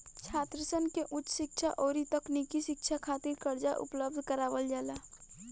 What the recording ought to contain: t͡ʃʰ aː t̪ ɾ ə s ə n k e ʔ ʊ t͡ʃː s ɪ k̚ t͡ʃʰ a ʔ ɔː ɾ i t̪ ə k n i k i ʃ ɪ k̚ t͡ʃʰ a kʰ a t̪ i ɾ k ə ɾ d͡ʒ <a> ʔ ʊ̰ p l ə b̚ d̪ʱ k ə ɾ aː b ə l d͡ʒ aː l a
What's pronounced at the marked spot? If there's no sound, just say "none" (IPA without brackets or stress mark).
a